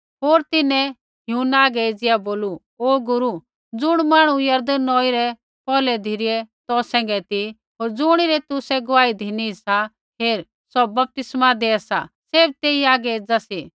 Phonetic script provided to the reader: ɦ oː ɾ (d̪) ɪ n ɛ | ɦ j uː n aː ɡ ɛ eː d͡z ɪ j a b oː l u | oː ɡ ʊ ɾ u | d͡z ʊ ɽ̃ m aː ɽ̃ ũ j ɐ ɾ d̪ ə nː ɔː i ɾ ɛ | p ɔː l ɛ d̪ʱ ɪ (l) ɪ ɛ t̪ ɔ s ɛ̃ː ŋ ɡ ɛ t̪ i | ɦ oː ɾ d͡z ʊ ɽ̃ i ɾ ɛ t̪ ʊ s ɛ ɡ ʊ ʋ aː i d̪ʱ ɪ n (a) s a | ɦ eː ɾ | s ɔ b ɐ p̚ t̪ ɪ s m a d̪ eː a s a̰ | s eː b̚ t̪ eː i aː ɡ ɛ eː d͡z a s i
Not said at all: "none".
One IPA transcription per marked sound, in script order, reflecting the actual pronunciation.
t̪, ɾ, i

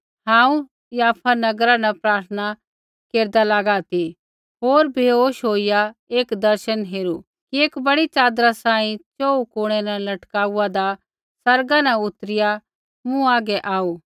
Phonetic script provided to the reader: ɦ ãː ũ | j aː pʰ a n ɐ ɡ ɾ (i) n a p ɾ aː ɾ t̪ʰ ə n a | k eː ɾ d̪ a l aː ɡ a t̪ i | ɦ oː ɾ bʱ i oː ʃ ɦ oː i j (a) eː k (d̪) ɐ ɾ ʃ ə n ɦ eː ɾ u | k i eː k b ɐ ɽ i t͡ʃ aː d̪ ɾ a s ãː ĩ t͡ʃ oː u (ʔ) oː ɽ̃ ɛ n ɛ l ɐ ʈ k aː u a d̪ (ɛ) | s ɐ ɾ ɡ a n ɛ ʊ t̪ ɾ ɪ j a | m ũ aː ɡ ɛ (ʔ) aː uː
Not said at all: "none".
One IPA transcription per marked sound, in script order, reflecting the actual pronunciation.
a, a, d̪, k, a, ʔ

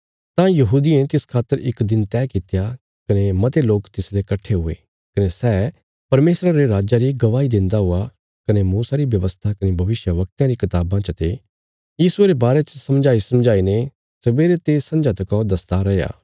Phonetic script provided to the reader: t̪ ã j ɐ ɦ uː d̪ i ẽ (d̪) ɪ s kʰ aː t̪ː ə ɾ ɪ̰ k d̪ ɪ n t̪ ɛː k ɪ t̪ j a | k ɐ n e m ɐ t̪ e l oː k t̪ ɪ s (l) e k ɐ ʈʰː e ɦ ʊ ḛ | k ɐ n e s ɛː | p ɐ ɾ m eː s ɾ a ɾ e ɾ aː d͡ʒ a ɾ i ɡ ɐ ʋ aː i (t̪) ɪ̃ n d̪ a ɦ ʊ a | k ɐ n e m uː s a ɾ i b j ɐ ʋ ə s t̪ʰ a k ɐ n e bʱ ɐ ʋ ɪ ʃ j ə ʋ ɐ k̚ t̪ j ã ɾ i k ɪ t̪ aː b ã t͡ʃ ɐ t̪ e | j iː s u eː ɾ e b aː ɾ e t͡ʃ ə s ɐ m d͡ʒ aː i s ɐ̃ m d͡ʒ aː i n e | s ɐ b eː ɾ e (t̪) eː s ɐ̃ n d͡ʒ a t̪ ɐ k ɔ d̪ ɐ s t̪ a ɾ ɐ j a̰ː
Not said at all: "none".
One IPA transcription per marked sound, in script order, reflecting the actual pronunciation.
t̪, l, d̪, t̪

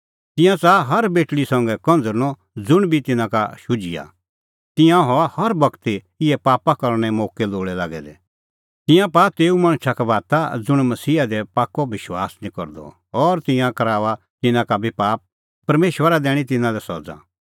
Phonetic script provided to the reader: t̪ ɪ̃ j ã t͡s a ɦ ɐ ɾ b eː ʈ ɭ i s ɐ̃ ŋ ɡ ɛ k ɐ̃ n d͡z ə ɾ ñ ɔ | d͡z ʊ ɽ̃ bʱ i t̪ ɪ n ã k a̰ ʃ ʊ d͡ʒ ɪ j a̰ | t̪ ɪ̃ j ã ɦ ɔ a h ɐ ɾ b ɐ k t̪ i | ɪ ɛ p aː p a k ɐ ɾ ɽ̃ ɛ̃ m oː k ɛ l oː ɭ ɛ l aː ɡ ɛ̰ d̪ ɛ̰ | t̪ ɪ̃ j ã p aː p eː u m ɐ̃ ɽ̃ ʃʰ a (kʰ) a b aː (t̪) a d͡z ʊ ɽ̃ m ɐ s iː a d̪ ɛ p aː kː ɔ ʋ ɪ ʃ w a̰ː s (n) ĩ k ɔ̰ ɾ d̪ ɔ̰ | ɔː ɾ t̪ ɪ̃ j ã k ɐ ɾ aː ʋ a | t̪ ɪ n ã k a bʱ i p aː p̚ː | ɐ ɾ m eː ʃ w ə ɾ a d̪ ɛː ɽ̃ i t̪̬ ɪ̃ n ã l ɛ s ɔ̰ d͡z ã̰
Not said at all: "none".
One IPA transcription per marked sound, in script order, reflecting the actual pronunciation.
k, t̪, n

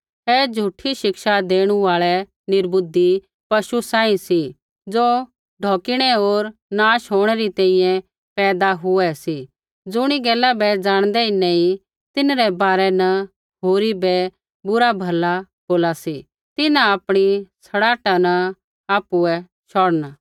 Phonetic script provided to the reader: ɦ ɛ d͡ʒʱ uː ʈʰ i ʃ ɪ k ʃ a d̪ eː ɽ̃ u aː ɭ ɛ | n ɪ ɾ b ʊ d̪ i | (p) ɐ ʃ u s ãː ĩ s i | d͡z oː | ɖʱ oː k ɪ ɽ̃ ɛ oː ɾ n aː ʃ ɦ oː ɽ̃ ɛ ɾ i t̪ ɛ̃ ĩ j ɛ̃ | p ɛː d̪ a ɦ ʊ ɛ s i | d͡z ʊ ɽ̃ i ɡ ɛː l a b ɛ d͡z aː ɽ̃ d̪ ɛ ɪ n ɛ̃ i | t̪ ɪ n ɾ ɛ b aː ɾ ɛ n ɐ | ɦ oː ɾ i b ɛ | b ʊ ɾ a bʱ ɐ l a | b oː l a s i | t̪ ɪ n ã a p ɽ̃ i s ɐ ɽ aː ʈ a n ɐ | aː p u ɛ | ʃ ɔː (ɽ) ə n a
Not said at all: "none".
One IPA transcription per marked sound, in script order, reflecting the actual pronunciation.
p, ɽ

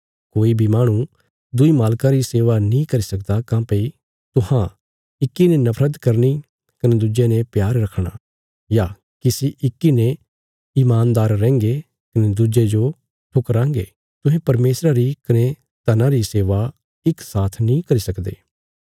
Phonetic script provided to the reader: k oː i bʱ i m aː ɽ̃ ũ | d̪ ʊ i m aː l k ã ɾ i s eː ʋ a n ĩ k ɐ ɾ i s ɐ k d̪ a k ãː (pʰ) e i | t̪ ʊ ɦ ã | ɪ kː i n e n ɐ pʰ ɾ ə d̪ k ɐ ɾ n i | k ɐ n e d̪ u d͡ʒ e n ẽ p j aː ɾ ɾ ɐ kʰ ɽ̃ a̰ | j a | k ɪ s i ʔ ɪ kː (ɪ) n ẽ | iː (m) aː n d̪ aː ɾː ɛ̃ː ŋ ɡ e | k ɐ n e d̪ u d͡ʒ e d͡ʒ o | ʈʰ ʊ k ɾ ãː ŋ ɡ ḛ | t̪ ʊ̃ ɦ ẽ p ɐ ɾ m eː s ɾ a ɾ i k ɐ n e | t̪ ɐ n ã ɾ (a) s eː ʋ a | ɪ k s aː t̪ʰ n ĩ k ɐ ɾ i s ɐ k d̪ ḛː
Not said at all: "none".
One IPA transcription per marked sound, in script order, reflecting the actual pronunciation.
p, i, m, i

